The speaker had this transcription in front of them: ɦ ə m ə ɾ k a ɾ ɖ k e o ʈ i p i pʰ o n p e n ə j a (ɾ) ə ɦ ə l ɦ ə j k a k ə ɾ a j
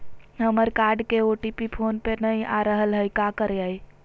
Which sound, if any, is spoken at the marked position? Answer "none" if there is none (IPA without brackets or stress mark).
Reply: ɾ